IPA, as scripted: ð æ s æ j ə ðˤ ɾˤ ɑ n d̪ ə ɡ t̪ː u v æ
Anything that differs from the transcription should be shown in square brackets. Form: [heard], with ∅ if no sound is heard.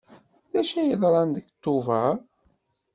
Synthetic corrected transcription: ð æ [ʃ] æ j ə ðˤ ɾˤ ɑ n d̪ ə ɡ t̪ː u v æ